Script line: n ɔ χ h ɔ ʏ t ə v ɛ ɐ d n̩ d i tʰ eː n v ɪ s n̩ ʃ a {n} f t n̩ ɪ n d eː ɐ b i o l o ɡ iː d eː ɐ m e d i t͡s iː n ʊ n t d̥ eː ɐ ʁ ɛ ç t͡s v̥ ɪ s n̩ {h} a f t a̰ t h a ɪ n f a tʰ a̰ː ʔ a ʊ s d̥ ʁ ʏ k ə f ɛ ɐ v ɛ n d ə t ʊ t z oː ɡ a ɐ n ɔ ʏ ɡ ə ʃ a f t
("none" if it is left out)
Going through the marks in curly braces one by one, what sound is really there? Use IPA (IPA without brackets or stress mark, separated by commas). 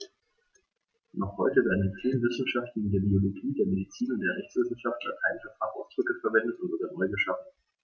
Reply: none, ʃ